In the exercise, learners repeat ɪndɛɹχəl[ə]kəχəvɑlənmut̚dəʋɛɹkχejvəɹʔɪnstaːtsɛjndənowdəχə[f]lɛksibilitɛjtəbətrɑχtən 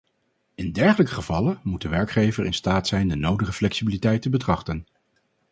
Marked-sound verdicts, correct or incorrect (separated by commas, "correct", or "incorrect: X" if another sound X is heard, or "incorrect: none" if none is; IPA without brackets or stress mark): correct, correct